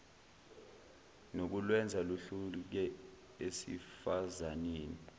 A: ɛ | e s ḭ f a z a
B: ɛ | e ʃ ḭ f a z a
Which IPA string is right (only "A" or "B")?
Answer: A